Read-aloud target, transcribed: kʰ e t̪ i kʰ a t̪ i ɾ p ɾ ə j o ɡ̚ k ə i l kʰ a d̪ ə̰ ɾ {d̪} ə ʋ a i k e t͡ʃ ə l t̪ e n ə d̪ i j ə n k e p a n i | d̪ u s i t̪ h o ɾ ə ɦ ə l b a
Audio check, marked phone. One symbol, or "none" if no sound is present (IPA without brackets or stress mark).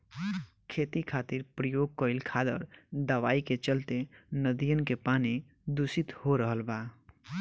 d̪